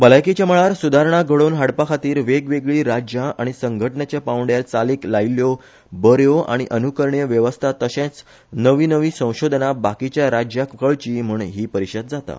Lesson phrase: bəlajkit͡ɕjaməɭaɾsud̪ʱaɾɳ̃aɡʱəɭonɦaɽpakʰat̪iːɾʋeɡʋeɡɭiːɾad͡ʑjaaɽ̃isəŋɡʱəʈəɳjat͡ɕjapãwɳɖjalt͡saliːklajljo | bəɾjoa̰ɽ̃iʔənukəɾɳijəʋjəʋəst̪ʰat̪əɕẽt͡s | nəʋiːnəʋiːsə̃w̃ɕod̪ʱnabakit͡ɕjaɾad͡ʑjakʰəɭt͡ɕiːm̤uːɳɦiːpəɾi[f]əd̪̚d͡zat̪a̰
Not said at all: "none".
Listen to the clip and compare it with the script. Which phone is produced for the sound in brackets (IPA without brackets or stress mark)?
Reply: ɕ